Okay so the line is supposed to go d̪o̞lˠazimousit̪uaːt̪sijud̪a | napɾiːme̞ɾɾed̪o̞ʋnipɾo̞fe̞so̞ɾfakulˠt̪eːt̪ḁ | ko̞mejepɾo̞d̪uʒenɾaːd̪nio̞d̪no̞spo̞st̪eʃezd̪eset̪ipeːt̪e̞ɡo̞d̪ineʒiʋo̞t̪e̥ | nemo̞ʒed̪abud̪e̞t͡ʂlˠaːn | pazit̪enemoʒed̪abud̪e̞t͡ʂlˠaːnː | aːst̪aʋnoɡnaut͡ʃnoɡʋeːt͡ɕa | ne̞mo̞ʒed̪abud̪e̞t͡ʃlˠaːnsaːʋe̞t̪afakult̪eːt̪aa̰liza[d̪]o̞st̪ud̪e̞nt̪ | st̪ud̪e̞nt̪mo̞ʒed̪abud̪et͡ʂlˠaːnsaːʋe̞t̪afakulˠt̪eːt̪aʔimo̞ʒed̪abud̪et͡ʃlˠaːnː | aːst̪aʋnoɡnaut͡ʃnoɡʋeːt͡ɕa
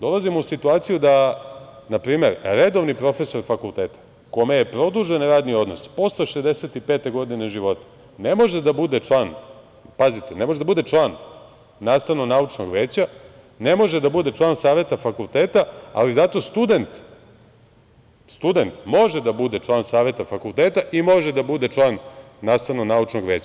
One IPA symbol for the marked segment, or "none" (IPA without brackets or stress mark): t̪